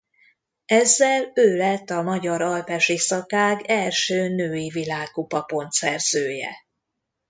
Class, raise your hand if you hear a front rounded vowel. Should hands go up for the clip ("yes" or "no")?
yes